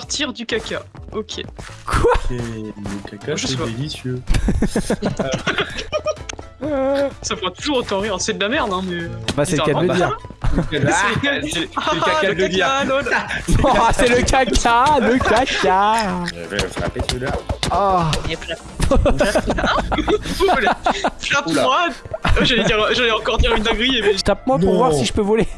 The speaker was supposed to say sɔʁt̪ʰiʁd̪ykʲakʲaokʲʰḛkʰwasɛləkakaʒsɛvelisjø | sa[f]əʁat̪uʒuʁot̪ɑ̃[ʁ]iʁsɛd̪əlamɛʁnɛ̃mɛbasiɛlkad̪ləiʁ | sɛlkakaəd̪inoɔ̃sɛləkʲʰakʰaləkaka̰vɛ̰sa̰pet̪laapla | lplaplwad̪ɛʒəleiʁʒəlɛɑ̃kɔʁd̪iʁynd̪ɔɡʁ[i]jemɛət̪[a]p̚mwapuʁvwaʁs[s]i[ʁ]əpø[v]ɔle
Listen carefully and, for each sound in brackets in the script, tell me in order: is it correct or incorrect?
correct, correct, correct, correct, correct, incorrect: ʒ, correct

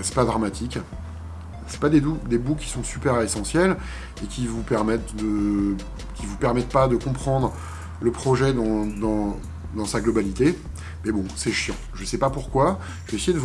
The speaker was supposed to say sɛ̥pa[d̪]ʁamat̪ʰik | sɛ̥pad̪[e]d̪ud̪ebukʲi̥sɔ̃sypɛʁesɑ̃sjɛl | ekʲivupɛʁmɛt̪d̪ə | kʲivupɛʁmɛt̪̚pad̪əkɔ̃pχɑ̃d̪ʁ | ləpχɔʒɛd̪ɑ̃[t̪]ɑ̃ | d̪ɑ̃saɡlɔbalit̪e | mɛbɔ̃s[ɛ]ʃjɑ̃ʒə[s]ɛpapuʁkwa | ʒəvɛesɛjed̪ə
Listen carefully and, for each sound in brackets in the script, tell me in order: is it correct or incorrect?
correct, correct, incorrect: d̪, correct, correct

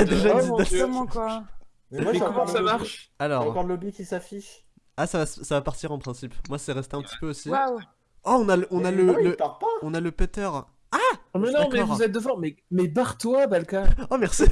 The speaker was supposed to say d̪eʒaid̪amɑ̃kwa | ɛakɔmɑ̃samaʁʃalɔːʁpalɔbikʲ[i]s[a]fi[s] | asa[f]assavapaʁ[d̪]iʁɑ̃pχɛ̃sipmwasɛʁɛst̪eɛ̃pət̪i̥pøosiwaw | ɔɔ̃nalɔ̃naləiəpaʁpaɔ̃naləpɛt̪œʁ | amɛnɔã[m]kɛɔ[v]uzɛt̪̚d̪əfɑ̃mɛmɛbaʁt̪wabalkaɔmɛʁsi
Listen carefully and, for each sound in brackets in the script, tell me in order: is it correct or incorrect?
correct, correct, incorrect: ʃ, incorrect: v, incorrect: t̪, correct, correct

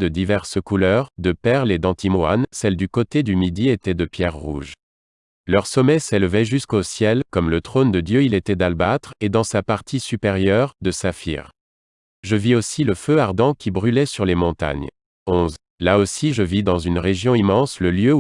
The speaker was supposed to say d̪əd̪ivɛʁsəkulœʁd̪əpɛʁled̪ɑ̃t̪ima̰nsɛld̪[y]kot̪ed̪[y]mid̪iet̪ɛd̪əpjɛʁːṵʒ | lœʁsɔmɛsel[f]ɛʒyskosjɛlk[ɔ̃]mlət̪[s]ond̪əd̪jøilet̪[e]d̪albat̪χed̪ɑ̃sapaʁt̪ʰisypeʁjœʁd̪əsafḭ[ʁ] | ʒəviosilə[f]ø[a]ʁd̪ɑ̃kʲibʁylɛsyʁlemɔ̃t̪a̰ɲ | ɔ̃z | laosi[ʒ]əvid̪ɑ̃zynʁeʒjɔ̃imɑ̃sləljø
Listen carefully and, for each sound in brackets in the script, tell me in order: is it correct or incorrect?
correct, correct, incorrect: v, incorrect: ɔ, incorrect: χ, incorrect: ɛ, correct, correct, correct, correct

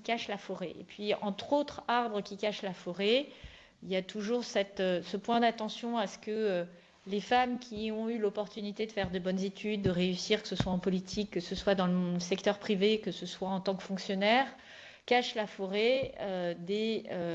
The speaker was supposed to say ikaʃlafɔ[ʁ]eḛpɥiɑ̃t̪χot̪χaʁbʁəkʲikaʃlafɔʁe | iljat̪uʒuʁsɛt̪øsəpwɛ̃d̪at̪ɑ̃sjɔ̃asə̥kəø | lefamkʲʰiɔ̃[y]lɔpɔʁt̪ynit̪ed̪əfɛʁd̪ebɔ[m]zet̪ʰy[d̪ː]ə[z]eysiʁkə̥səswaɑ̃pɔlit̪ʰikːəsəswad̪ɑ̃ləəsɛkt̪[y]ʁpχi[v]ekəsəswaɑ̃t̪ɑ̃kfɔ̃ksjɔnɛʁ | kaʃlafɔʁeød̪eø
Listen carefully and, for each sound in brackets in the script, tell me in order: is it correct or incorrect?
correct, correct, incorrect: n, correct, incorrect: ʁ, incorrect: œ, correct

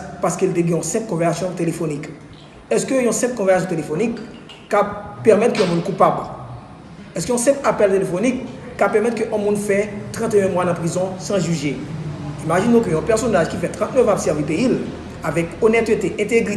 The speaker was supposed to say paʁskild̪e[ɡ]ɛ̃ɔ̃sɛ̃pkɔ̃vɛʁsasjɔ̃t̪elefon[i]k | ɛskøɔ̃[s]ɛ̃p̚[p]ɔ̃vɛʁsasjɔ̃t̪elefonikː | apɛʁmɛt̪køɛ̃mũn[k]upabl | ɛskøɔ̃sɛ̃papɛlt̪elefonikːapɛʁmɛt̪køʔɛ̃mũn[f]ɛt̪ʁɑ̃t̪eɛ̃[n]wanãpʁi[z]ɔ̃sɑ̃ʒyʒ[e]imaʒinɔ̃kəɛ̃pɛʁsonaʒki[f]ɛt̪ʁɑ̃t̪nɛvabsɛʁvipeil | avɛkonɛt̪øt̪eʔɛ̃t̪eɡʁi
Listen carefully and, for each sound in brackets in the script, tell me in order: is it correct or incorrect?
correct, correct, correct, incorrect: k, correct, correct, incorrect: m, correct, correct, correct

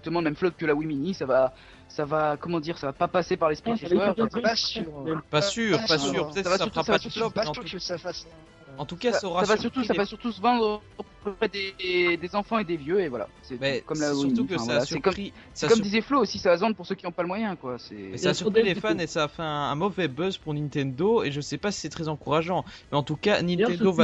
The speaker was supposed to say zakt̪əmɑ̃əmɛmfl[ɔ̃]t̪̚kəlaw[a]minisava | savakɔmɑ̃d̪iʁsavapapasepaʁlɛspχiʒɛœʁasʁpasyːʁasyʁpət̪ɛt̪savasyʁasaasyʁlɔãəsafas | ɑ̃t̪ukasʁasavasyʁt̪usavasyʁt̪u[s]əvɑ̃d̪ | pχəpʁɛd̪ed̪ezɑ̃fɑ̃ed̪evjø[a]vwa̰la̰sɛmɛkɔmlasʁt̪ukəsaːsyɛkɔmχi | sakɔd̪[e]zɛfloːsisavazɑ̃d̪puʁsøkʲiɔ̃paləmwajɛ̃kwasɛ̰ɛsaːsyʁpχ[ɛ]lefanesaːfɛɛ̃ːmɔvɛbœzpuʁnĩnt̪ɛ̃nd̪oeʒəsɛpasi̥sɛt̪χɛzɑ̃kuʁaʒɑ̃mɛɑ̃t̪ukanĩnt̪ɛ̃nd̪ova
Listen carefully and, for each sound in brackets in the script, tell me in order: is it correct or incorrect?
incorrect: ɔ, incorrect: i, correct, incorrect: e, incorrect: i, incorrect: i

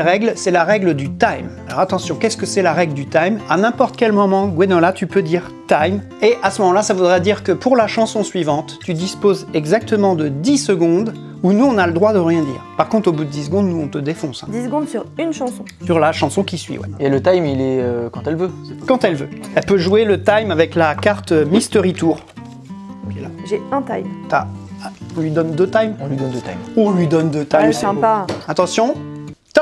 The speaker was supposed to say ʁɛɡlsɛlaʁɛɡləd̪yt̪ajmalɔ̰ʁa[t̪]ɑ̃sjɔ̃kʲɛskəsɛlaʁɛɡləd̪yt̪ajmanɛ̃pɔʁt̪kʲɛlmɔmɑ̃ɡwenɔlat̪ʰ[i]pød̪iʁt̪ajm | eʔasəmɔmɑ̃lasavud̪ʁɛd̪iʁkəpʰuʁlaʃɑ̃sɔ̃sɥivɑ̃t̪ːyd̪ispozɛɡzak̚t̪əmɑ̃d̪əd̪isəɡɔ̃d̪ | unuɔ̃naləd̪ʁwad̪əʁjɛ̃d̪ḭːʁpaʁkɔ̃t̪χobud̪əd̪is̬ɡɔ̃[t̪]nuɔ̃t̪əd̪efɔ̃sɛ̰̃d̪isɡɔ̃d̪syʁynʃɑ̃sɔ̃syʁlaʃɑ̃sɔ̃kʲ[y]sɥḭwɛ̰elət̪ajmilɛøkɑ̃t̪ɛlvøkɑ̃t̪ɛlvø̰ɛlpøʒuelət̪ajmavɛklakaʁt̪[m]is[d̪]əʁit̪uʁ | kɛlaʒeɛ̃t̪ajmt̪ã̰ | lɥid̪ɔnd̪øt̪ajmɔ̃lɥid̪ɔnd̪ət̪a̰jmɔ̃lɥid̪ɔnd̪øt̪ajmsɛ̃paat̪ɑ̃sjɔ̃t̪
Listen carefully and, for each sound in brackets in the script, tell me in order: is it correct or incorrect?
correct, incorrect: y, incorrect: d̪, incorrect: i, correct, incorrect: t̪

